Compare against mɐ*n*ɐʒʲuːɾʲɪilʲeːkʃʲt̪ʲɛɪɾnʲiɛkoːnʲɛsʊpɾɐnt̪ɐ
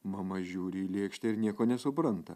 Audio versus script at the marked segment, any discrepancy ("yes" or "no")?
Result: yes